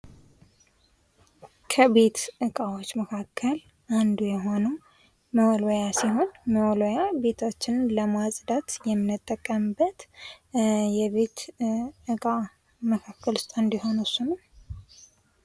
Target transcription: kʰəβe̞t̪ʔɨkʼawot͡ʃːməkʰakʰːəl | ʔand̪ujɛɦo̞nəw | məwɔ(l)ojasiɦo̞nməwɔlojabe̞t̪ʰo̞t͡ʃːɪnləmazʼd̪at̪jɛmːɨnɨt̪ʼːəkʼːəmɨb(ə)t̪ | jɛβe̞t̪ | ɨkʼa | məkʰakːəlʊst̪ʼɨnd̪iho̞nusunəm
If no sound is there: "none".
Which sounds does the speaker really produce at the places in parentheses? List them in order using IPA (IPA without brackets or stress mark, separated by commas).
l, ə